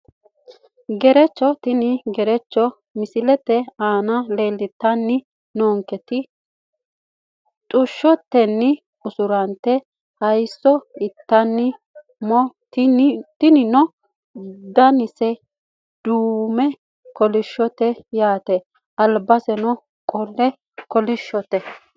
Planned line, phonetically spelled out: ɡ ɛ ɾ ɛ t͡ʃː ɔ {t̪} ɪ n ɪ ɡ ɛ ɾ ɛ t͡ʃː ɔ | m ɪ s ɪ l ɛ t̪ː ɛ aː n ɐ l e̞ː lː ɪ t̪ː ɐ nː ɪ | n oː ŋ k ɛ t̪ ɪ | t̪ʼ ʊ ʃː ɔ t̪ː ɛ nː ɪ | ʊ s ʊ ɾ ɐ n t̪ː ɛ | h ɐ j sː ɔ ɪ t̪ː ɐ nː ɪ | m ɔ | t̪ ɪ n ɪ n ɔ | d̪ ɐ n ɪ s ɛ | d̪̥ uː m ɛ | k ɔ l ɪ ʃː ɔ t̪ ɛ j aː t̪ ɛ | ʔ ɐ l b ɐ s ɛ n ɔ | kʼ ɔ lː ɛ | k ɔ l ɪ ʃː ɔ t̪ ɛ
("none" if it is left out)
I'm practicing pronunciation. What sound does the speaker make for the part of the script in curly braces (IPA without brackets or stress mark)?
t̪